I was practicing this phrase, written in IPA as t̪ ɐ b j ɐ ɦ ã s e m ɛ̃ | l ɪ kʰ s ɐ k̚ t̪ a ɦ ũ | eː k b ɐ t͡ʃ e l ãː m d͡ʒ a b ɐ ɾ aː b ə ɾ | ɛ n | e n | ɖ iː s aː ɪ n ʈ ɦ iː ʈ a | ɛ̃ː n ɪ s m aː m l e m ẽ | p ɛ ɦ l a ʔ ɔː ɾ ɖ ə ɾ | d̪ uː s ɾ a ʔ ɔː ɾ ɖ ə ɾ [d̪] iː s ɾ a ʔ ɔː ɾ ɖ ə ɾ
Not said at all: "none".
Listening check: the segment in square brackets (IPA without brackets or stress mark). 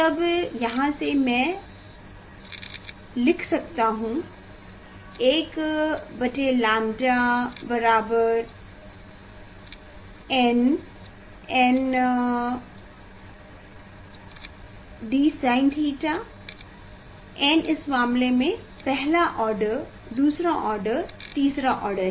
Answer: t̪